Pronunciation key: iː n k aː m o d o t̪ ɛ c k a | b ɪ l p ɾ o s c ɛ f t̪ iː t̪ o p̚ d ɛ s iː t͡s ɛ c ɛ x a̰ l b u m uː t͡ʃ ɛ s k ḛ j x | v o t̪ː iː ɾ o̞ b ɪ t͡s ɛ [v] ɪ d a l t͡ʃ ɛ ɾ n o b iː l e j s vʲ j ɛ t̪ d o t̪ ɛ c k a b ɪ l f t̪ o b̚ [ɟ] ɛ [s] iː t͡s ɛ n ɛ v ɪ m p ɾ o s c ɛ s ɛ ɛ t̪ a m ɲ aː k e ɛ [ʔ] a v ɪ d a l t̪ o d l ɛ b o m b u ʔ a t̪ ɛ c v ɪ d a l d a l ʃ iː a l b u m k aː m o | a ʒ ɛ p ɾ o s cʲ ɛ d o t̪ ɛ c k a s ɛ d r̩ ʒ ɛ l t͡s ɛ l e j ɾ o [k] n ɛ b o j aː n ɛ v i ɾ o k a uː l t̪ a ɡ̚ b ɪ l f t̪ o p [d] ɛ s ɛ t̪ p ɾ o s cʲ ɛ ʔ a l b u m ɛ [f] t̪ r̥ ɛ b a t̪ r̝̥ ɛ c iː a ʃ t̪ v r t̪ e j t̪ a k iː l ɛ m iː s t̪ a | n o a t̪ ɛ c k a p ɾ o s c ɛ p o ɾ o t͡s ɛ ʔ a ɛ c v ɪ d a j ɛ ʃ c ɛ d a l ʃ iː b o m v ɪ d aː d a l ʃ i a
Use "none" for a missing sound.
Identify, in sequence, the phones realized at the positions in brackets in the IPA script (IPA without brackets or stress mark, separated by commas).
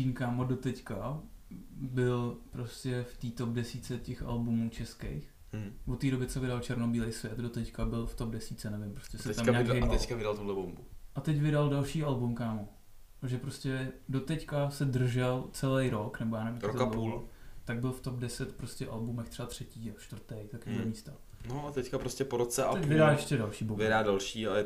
v, d, s, k, k, d, x